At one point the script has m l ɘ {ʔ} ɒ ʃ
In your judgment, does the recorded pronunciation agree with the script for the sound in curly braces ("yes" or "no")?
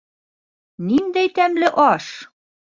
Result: yes